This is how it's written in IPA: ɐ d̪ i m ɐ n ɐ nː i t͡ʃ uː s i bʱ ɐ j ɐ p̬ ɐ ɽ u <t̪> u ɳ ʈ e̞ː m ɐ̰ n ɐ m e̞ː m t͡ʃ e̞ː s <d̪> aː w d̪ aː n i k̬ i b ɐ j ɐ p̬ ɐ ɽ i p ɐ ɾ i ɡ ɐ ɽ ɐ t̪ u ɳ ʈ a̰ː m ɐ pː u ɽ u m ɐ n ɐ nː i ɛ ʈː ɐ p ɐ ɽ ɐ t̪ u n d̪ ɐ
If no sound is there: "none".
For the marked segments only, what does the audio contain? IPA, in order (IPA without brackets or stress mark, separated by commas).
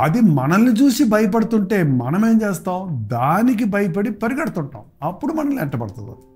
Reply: t̪, t̪